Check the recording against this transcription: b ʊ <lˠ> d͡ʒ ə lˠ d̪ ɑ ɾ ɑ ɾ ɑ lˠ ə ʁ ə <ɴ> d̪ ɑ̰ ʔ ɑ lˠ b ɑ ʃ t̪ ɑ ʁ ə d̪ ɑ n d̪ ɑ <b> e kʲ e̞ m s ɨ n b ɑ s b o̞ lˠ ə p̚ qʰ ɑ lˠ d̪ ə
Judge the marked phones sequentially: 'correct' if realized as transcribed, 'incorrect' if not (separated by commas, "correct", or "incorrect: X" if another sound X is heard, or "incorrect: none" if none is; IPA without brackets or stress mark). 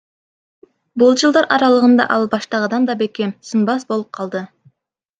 correct, incorrect: n, correct